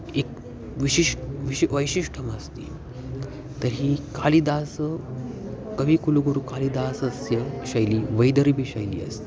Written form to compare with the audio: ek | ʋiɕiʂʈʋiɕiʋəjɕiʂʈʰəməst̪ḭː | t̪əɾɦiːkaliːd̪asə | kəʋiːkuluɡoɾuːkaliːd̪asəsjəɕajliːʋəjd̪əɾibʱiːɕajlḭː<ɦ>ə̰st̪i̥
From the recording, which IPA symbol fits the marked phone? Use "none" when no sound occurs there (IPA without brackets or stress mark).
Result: none